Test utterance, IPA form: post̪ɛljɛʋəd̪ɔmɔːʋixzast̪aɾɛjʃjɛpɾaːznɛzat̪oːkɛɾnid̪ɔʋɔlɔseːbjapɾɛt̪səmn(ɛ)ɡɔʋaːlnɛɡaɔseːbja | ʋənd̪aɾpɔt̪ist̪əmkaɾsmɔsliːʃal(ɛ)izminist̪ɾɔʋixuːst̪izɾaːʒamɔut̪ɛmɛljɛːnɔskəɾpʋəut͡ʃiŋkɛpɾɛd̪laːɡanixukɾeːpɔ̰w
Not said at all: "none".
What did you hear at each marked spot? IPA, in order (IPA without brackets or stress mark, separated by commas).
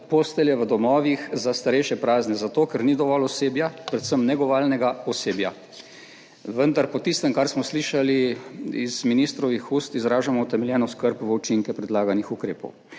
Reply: ɛ, i